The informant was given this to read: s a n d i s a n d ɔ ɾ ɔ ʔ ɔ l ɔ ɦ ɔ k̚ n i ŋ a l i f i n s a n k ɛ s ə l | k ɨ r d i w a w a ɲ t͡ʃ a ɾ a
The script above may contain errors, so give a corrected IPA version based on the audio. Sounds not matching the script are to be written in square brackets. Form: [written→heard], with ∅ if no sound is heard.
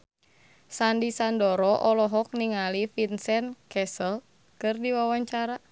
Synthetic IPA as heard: s a n d i s a n d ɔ ɾ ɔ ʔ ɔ l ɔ ɦ ɔ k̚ n i ŋ a l i f i n s [a→ɛ] n k ɛ s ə l | k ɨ r d i w a w a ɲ t͡ʃ a ɾ a